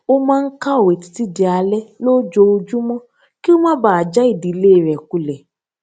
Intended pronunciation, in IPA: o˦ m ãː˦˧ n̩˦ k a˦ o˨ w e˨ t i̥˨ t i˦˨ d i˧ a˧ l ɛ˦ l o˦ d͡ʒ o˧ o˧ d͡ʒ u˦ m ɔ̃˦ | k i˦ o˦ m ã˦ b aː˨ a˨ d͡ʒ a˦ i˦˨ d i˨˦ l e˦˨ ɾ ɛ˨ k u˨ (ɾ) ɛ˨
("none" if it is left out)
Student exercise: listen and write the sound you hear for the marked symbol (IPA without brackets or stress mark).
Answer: l